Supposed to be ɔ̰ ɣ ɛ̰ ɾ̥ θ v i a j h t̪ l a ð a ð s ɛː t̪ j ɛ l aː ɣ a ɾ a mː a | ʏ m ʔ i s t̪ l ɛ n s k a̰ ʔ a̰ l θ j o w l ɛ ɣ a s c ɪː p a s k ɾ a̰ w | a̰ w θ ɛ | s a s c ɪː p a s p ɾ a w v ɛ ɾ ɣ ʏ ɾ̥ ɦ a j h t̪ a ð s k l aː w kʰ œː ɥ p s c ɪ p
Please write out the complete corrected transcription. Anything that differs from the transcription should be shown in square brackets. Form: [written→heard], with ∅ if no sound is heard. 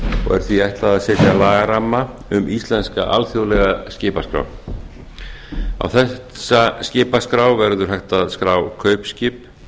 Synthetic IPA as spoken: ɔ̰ ɣ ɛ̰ ɾ̥ θ v i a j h t̪ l a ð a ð s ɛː t̪ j [ɛ→a] l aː ɣ a ɾ a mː a | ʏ m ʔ i s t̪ l ɛ n s k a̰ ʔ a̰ l θ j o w l ɛ ɣ a s c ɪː p a s k ɾ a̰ w | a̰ w θ ɛ | s a s c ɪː p a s [p→k] ɾ a w v ɛ ɾ [ɣ→ð] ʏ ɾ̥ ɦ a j h t̪ a ð s k [l→ɾ] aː w kʰ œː ɥ p s c ɪ p

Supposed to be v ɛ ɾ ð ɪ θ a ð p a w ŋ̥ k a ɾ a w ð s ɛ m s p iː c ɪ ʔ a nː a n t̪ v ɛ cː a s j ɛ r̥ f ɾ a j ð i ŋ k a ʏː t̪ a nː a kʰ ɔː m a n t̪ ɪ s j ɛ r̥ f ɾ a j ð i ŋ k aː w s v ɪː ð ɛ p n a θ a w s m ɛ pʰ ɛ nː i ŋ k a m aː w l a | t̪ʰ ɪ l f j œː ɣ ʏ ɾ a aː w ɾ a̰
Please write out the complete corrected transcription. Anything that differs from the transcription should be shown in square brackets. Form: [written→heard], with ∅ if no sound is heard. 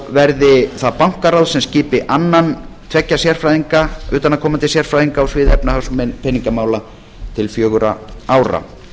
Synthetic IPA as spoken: v ɛ ɾ ð ɪ θ a ð p a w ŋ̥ k a ɾ a w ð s ɛ m s [p→c] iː [c→p] ɪ ʔ a nː a n [t̪→t̪ʰ] v ɛ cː a s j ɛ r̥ f ɾ a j ð i ŋ k a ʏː t̪ a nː a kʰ ɔː m a n t̪ ɪ s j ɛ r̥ f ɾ a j ð i ŋ k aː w s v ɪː ð ɛ p n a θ a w s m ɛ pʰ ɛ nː i ŋ k a m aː w l a | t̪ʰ ɪ l f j œː ɣ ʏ ɾ a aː w ɾ a̰

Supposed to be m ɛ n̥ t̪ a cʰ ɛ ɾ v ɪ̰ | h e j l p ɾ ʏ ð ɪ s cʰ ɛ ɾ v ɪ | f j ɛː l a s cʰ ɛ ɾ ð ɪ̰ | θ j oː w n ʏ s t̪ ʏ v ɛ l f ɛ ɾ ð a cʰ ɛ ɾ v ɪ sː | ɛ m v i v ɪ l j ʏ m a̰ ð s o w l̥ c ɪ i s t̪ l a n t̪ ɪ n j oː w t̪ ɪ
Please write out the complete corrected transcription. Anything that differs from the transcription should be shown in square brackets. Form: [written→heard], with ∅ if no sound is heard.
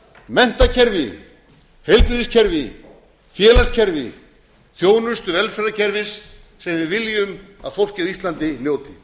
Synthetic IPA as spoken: m ɛ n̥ t̪ a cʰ ɛ ɾ v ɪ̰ | h e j l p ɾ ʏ ð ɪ s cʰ ɛ ɾ v ɪ | f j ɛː l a s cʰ ɛ ɾ [ð→v] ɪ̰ | θ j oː w n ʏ s t̪ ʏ v ɛ l f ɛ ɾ ð a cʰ ɛ ɾ v ɪ sː | ɛ m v [i→ɪ] v ɪ l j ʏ m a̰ ð [s→f] o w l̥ c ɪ i s t̪ l a n t̪ ɪ n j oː w t̪ ɪ

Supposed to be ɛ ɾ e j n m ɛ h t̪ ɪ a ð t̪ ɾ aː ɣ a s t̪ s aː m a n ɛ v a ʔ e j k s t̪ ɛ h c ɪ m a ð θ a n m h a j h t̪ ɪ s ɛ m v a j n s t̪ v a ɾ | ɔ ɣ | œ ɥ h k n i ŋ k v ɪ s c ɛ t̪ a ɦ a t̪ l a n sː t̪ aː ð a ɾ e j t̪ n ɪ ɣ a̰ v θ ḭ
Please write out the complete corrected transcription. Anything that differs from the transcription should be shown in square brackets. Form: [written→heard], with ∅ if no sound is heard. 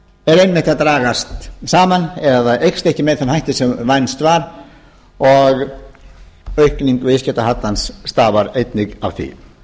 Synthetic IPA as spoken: ɛ ɾ e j n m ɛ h t̪ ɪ a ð t̪ ɾ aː ɣ a s t̪ s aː m a n ɛ [v→ð] a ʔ e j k s t̪ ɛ h c ɪ m [a→ɛ] ð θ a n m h a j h t̪ ɪ s ɛ m v a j n s t̪ v a ɾ | ɔ ɣ | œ ɥ h k n i ŋ k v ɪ s c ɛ t̪ a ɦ a t̪ l a n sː t̪ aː [ð→v] a ɾ e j t̪ n ɪ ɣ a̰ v θ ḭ

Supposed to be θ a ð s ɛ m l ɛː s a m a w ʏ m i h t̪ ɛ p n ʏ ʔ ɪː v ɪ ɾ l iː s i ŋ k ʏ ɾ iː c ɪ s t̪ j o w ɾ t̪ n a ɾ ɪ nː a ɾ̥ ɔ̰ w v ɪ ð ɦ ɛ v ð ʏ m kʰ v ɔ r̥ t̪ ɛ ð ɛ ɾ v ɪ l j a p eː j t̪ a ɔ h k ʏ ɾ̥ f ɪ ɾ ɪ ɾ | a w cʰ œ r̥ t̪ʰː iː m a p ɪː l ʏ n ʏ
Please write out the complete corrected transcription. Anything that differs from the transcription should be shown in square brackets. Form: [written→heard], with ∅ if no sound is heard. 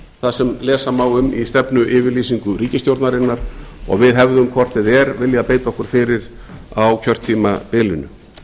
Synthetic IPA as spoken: θ a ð s ɛ m l ɛː s a m a w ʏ m i [h→s] t̪ ɛ p n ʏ ʔ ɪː v ɪ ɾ l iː s i ŋ k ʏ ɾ iː c ɪ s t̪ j o w ɾ t̪ n a ɾ ɪ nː a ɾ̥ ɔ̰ [w→ɣ] v ɪ ð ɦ ɛ v ð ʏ m kʰ v ɔ r̥ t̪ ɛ ð ɛ ɾ v ɪ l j a p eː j t̪ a ɔ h k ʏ ɾ̥ f ɪ ɾ ɪ ɾ | a w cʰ œ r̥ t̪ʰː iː m a p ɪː l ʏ n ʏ

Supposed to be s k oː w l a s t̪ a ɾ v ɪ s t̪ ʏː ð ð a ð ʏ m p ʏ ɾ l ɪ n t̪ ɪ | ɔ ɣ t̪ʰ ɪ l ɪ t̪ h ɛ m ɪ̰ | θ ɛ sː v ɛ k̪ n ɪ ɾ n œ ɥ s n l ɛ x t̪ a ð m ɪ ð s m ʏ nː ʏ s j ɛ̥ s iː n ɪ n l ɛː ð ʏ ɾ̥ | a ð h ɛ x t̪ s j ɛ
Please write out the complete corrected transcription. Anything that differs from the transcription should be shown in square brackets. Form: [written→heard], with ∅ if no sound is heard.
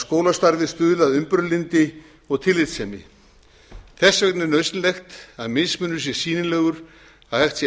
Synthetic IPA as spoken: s k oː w l a s t̪ a ɾ v ɪ s t̪ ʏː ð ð a ð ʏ m p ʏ ɾ l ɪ n t̪ ɪ | ɔ ɣ t̪ʰ ɪ l ɪ t̪ [h→s] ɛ m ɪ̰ | θ ɛ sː v ɛ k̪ n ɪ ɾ n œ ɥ s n l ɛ x t̪ a ð m ɪ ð s m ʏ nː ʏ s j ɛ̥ s iː n ɪ n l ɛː [ð→ɣ] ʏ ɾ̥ | a ð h ɛ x t̪ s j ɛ

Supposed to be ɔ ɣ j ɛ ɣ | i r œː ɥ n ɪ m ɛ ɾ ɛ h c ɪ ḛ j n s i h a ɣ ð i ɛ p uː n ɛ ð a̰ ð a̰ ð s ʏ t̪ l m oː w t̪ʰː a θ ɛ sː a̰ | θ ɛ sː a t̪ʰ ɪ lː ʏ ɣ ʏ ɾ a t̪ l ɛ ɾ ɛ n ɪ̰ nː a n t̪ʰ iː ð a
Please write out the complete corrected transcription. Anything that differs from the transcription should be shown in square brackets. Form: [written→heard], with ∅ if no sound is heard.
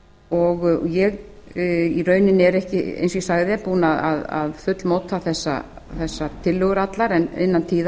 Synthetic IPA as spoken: ɔ ɣ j ɛ ɣ | i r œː ɥ n ɪ [m→n] ɛ ɾ ɛ h c ɪ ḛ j n s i [h→s] a ɣ ð [i→ɪ] ɛ p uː n [ɛ→a] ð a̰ ð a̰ ð [s→f] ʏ t̪ l m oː w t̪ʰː a θ ɛ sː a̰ | θ ɛ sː a t̪ʰ ɪ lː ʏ ɣ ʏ ɾ a t̪ l [ɛ→a] ɾ ɛ n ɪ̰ nː a n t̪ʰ iː ð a

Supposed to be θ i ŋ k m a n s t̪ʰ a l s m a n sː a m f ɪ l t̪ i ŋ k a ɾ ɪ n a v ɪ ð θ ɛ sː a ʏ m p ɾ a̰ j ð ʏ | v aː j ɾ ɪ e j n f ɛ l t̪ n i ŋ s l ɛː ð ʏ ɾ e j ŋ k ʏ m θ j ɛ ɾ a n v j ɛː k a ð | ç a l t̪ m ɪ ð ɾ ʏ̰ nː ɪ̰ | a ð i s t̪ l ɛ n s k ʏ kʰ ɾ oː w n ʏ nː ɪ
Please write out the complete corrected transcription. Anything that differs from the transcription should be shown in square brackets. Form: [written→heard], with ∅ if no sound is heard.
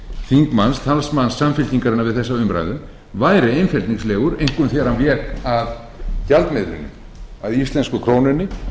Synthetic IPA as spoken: θ i ŋ k m a n s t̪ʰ a l s m a n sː a m f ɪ l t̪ i ŋ k a ɾ ɪ n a v ɪ ð θ ɛ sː a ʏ m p ɾ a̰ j ð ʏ | v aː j ɾ ɪ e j n f ɛ l t̪ n i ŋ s l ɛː [ð→ɣ] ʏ ɾ e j ŋ k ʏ m θ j ɛ ɾ a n v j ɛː k a ð | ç a l t̪ m ɪ ð ɾ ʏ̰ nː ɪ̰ | a ð i s t̪ l ɛ n s k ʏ kʰ ɾ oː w n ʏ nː ɪ

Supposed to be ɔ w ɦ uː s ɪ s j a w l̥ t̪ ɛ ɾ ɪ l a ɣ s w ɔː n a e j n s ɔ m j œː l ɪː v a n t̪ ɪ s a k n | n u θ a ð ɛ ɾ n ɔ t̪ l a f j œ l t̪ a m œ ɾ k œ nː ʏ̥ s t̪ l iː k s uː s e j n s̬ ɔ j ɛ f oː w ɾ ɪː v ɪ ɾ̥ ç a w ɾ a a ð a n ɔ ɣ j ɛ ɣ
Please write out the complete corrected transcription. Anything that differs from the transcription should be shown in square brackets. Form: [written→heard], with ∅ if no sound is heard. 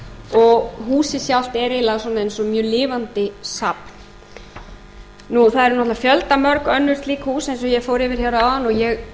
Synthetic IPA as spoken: ɔ [w→ɣ] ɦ uː s ɪ s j a w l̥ t̪ ɛ ɾ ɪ l a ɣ s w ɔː n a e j n s ɔ m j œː l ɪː v a n t̪ ɪ s a [k→p] n | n u θ a ð ɛ ɾ n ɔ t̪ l a f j œ l t̪ a m œ ɾ k œ nː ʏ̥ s t̪ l iː k [s→h] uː s e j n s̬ ɔ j ɛ f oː w ɾ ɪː v ɪ ɾ̥ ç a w ɾ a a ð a n ɔ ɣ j ɛ ɣ

